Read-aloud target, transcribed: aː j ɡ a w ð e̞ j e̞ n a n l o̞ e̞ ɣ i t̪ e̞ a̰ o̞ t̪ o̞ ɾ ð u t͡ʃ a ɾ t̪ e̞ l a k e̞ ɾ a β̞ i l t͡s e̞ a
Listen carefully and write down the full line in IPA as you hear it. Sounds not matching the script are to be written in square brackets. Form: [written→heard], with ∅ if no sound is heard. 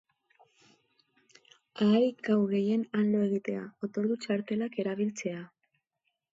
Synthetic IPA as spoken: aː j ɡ a w [ð→ɣ] e̞ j e̞ n a n l o̞ e̞ ɣ i t̪ e̞ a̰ o̞ t̪ o̞ ɾ ð u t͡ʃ a ɾ t̪ e̞ l a k e̞ ɾ a β̞ i l t͡s e̞ a